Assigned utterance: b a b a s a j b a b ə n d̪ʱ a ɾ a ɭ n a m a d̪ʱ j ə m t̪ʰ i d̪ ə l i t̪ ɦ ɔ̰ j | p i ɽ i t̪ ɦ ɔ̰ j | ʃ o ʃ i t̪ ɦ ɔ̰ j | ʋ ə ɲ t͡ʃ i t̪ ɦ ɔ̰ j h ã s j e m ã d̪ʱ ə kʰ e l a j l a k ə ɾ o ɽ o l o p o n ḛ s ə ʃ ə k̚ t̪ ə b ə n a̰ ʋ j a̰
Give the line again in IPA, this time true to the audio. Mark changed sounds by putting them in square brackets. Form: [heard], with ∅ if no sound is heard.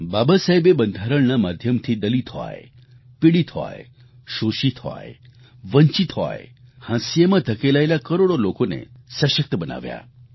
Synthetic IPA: b a b a s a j b [e] b ə n d̪ʱ a ɾ [ə] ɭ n a m a d̪ʱ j ə m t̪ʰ i d̪ ə l i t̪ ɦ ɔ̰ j | p i ɽ i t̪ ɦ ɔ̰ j | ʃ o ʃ i t̪ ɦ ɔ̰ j | ʋ ə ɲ t͡ʃ i t̪ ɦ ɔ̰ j h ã s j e m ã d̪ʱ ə [k] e l a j l a k ə ɾ o ɽ o l o [k] o n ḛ s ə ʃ ə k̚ t̪ ə b ə n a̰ ʋ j a̰